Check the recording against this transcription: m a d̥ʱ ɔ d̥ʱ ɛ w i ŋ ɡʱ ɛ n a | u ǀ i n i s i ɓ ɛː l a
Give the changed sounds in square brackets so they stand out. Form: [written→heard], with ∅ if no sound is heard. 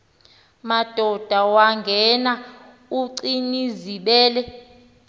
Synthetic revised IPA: m a d̥ʱ ɔ d̥ʱ [ɛ→a] w [i→a] ŋ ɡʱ ɛ n a | u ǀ i n i [s→z] i ɓ ɛː l [a→ɛ]